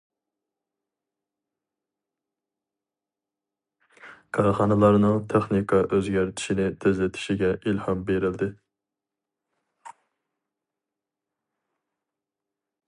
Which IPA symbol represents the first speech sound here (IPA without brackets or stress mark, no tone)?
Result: kʰ